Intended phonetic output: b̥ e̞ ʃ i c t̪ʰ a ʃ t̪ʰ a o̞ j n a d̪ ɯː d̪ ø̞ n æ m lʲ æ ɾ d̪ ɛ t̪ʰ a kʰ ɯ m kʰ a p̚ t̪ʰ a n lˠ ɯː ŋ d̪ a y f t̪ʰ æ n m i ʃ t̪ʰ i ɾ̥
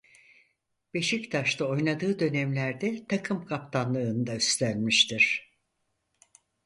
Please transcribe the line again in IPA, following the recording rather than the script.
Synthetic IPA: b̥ e̞ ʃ i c t̪ʰ a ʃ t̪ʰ a o̞ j n a d̪ ɯː d̪ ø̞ n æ m lʲ æ ɾ d̪ ɛ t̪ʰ a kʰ ɯ m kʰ a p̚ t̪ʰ a n lˠ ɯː n d̪ a y s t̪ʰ æ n m i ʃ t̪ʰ i ɾ̥